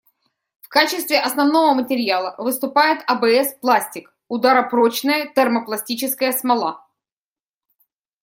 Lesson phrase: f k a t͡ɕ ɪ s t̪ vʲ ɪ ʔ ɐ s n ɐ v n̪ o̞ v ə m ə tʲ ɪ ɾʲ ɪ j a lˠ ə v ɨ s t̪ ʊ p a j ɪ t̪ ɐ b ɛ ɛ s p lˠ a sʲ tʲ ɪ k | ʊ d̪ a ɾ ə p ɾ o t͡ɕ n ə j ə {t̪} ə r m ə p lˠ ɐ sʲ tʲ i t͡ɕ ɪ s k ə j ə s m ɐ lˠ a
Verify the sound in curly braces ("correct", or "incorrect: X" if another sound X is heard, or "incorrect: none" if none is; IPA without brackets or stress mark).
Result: correct